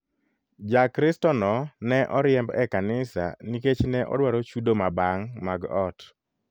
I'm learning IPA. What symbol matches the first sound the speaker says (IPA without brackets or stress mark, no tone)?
d͡ʒ